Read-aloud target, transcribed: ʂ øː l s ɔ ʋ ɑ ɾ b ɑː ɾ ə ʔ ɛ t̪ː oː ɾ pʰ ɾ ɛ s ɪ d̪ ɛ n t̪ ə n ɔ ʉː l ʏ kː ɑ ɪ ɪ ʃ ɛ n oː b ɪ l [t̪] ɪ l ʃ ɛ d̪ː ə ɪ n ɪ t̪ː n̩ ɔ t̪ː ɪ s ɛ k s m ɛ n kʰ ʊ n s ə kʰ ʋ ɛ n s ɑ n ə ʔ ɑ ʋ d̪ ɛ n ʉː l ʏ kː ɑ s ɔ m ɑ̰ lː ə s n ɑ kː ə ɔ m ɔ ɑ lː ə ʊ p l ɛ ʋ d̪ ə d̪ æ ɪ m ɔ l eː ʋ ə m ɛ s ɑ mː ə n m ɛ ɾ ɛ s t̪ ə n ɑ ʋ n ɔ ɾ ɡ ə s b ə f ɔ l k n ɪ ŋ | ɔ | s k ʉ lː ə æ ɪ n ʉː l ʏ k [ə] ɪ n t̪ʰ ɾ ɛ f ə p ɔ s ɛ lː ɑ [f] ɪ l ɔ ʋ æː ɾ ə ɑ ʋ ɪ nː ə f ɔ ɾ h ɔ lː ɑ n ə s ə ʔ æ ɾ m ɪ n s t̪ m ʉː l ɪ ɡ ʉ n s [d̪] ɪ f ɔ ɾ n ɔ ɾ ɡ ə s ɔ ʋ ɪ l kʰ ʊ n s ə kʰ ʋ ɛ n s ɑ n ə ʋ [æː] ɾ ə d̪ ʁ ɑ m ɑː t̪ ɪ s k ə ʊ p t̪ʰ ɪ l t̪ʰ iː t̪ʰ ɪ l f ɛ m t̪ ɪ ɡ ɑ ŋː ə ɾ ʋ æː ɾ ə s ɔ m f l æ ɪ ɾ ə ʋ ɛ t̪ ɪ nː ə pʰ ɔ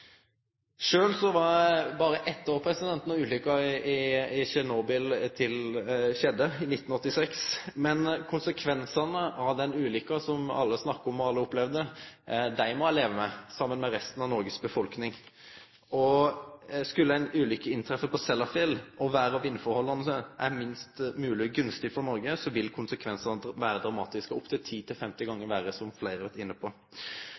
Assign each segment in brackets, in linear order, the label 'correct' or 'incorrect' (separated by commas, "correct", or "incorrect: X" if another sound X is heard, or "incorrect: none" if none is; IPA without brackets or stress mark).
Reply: incorrect: t̪ʰ, correct, correct, incorrect: t̪, correct